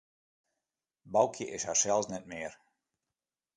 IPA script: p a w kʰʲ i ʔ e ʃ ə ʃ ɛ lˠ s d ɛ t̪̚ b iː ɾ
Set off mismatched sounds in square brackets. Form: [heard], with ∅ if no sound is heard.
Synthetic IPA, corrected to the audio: [b] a w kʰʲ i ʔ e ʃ [a] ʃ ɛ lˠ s [n] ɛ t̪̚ [m] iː ɾ